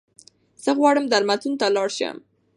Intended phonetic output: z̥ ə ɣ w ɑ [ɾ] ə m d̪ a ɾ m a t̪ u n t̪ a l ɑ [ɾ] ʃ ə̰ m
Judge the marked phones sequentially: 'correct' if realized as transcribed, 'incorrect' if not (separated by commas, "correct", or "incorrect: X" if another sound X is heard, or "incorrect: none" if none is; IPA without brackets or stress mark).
incorrect: ɽ, incorrect: ɽ